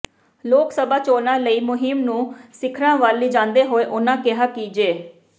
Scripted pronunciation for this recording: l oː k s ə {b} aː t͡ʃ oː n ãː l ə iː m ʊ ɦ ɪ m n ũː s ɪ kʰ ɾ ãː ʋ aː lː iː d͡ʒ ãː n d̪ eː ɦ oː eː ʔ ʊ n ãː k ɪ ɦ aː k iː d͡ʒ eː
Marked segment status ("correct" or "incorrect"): correct